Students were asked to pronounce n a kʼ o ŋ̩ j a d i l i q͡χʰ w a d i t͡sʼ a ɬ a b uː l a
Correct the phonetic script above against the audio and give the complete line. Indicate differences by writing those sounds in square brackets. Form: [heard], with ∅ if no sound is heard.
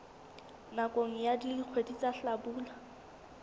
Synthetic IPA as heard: n a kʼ o ŋ̩ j a d i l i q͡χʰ w [e] d i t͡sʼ a ɬ a b uː l a